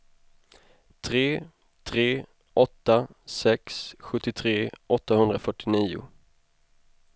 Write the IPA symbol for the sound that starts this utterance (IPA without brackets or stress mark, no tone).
t̪ʰ